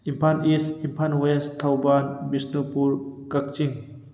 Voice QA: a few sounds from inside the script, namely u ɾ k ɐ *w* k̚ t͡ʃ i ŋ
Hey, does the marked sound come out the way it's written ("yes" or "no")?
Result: no